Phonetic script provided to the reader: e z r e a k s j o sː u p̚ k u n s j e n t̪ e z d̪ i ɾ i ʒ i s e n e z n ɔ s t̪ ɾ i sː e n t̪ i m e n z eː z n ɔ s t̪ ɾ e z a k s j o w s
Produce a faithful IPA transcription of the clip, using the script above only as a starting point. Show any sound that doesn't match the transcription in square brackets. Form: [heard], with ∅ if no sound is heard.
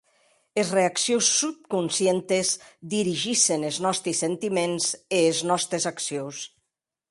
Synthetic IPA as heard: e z r e a k s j o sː u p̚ k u n s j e n t̪ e z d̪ i ɾ i ʒ i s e n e z n ɔ s t̪ ɾ i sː e n t̪ i m e n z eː z n ɔ s t̪ ɾ e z a k s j o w s